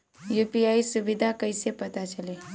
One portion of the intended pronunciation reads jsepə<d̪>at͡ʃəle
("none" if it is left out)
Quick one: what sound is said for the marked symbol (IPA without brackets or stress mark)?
t̪